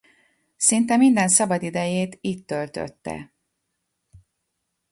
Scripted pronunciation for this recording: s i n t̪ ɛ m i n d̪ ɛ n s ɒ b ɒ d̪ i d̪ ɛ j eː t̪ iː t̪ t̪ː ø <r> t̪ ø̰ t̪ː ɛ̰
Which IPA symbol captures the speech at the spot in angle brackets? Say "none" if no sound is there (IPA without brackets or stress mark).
l